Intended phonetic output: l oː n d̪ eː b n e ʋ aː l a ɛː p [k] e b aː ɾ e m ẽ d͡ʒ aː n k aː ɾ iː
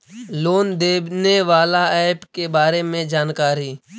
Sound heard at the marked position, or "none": k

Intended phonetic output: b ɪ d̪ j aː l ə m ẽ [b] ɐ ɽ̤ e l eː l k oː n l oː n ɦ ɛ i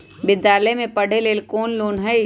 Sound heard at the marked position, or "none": p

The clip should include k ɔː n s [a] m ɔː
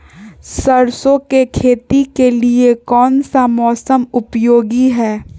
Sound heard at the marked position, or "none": a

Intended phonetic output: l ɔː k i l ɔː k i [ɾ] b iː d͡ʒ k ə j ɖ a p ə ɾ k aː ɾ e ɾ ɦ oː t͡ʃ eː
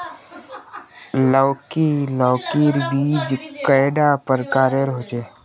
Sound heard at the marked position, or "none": ɾ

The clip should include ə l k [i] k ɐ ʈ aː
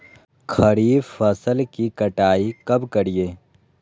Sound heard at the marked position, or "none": i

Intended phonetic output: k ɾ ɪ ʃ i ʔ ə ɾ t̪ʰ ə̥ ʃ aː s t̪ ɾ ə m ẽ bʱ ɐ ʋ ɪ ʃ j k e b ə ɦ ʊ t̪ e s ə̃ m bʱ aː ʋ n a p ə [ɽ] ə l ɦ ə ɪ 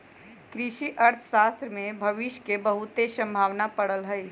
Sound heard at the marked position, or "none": ɽ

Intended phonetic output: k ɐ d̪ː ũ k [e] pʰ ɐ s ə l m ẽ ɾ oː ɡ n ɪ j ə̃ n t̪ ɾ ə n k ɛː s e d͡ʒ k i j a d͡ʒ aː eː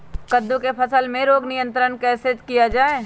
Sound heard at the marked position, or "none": e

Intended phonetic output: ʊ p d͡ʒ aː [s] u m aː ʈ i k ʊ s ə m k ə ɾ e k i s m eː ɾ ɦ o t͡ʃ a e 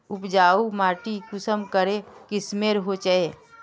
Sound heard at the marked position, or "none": none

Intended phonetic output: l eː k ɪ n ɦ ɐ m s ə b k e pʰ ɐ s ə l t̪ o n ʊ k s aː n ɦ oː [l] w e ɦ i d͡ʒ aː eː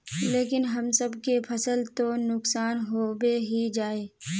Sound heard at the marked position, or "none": none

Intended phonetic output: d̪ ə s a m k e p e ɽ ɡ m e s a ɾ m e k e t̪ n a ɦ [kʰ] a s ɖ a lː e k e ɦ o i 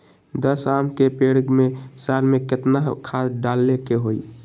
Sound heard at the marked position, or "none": kʰ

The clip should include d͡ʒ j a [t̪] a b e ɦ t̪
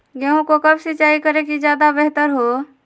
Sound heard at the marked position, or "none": d̪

